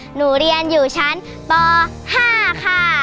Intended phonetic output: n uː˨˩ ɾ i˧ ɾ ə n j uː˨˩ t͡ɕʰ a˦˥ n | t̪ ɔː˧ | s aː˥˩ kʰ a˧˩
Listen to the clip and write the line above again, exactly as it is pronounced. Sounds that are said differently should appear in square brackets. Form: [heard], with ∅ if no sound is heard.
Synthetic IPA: n uː˨˩ ɾ i˧ [∅] ə n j uː˨˩ t͡ɕʰ a˦˥ n | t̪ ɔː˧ | [h] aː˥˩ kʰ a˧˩